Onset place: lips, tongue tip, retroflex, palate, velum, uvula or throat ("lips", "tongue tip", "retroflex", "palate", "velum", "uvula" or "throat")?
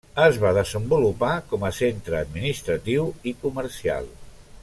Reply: tongue tip